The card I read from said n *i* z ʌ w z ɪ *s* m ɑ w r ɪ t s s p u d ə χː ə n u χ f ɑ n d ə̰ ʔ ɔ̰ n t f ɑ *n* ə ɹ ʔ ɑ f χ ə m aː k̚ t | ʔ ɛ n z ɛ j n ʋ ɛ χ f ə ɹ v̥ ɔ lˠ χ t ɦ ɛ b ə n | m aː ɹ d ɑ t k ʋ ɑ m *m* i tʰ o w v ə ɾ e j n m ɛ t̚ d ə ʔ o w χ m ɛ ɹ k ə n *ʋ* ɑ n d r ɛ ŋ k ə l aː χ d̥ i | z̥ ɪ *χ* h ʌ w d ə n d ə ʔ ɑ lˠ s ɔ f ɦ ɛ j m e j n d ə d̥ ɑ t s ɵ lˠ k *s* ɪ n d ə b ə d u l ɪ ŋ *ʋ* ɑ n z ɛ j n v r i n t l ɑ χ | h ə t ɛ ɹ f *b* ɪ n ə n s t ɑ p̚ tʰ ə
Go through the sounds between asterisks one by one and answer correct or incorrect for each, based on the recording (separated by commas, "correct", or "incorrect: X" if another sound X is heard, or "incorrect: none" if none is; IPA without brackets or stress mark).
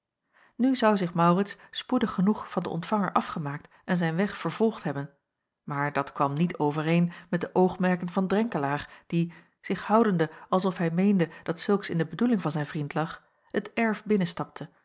incorrect: y, incorrect: χ, incorrect: ŋ, incorrect: n, incorrect: v, correct, correct, incorrect: v, correct